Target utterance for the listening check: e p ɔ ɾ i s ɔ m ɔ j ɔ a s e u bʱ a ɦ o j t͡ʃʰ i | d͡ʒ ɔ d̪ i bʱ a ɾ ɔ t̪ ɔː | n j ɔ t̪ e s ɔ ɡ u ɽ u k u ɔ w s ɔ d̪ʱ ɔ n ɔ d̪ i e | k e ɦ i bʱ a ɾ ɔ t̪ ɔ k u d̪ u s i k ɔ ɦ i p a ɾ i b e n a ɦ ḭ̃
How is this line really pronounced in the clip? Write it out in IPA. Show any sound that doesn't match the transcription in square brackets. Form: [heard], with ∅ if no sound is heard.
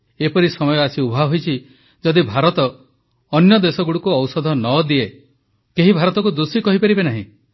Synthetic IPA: e p ɔ ɾ i s ɔ m ɔ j ɔ a s [i] u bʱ a ɦ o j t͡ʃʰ i | d͡ʒ ɔ d̪ i bʱ a ɾ ɔ t̪ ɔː | n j ɔ [d̪] e s ɔ ɡ u ɽ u k u ɔ w s ɔ d̪ʱ ɔ n ɔ d̪ i e | k e ɦ i bʱ a ɾ ɔ t̪ ɔ k u d̪ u s i k ɔ ɦ i p a ɾ i b e n a ɦ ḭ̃